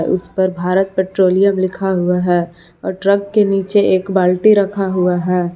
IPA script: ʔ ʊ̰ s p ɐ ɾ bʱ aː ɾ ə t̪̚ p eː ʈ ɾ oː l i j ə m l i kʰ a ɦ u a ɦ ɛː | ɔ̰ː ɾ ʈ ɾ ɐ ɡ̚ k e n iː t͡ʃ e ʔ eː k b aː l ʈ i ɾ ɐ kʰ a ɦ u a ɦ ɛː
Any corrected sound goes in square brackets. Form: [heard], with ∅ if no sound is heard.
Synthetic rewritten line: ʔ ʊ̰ s p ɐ ɾ bʱ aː ɾ ə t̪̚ p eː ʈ ɾ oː l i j ə m l [ɪ] kʰ a ɦ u a ɦ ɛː | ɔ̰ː ɾ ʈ ɾ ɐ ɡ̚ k e n iː t͡ʃ e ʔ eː k b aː l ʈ i ɾ ɐ kʰ a ɦ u a ɦ ɛː